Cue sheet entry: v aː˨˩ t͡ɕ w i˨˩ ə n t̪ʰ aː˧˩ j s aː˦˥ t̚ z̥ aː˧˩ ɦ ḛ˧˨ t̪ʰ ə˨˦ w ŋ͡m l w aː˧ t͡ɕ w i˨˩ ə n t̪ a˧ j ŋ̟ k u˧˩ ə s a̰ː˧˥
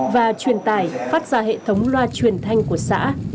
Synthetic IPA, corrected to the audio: v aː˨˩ t͡ɕ w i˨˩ ə n t̪ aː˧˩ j f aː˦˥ t̚ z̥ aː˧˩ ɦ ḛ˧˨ t̪ʰ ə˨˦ w ŋ͡m l w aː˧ t͡ɕ w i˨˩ ə n t̪ʰ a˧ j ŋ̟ k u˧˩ ə s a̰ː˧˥